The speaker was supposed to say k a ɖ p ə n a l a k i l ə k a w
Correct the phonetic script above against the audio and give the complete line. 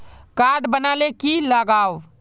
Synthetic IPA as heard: k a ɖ b ə n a l e k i l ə ɡ a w